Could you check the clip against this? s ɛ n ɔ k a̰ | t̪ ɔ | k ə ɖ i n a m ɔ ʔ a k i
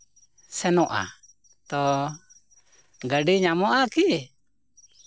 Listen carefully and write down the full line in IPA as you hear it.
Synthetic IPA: s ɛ n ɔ ʔ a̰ | t̪ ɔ | ɡ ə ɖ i ɲ a m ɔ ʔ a k i